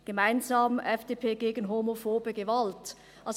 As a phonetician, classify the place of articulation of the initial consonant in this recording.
velar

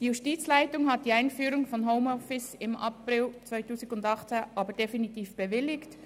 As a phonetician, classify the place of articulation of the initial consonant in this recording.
alveolar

